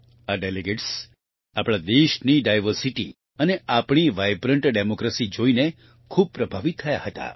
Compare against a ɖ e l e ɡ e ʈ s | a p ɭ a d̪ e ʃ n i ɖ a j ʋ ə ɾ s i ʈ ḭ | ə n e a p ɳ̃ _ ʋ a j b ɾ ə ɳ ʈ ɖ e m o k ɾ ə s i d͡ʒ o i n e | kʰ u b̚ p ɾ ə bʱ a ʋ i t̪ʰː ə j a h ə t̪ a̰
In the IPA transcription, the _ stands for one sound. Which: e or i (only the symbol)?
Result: i